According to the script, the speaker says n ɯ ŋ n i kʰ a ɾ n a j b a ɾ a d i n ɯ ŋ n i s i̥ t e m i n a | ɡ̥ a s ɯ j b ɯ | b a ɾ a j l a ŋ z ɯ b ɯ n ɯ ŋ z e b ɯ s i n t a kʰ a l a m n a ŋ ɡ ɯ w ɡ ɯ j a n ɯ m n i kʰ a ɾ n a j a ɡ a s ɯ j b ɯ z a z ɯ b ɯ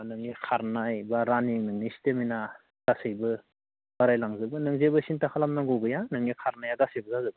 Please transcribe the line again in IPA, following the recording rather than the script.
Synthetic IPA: n ɯ ŋ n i kʰ a ɾ n a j b a ɾ a n i n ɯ ŋ n i s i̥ t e m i n a | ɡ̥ a s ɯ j b ɯ | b a ɾ a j l a ŋ z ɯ b ɯ n ɯ ŋ z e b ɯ s i n t a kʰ a l a m n a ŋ ɡ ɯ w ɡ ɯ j a n ɯ ŋ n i kʰ a ɾ n a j a ɡ a s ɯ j b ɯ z a z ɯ b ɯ